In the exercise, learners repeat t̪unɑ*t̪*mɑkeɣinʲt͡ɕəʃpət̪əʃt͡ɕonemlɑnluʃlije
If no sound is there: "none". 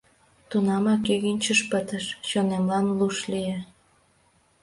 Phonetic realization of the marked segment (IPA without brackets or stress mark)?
none